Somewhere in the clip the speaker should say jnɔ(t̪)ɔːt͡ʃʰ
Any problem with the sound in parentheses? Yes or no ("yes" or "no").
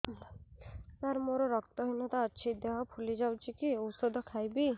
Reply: no